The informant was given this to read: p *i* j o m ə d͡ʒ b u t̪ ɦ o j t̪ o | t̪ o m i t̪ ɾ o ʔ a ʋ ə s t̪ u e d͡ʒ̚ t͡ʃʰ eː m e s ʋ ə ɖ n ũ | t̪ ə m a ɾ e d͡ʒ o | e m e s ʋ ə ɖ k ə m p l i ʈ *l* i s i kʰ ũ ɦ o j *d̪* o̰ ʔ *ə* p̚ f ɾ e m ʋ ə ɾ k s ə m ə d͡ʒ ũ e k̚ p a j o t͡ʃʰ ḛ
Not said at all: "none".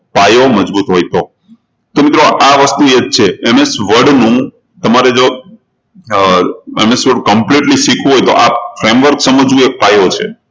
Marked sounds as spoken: a, l, t̪, a

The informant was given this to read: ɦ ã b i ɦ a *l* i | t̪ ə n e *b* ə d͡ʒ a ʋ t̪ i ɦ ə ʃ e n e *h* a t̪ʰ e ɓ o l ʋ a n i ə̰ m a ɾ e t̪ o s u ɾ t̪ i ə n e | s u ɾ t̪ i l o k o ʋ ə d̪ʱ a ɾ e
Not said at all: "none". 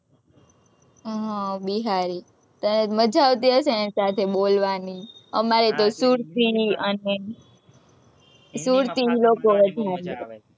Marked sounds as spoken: ɾ, m, s

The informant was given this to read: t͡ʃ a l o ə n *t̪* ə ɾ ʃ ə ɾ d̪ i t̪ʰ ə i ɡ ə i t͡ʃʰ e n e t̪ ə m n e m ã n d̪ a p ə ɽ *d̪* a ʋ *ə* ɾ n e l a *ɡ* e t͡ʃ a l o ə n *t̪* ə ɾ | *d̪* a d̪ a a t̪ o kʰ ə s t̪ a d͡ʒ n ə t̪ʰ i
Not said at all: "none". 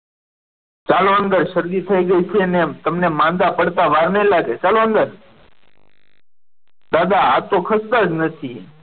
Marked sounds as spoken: d̪, t̪, a, ɡ, d̪, d̪

